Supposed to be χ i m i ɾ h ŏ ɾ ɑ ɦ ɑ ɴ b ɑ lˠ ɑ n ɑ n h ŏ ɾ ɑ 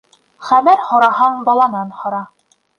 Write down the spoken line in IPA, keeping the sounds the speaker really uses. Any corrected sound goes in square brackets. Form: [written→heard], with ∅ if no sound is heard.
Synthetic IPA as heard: χ [i→æ] m [i→æ] ɾ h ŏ ɾ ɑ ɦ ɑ ɴ b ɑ lˠ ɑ n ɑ n h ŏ ɾ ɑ